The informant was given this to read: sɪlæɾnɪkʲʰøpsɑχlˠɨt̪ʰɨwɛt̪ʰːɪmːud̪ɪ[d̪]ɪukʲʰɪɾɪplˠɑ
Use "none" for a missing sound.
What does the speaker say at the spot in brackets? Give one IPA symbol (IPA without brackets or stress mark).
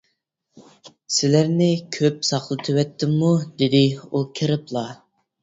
d̪